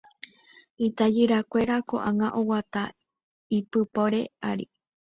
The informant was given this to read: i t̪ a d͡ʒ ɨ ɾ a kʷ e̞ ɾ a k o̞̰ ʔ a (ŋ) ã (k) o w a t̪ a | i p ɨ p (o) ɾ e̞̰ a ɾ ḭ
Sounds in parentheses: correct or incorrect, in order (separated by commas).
correct, incorrect, correct